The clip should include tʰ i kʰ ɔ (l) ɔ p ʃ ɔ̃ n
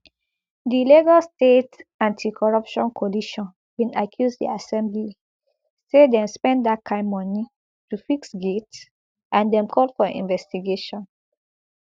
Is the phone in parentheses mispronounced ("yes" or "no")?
yes